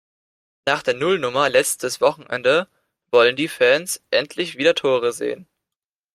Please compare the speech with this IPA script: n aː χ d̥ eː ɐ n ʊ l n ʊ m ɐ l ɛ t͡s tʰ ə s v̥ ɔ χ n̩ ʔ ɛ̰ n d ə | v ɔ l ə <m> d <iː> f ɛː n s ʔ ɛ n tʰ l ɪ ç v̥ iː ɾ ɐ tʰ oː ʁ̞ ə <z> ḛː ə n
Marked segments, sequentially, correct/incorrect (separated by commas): incorrect, correct, correct